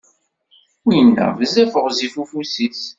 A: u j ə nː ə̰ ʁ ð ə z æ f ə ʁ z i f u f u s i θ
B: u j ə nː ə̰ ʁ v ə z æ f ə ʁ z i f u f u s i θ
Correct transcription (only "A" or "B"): B